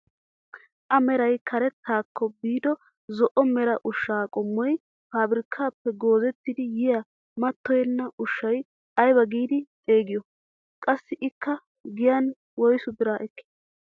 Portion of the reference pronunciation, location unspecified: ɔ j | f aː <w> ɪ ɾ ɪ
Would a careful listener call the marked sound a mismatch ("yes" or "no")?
yes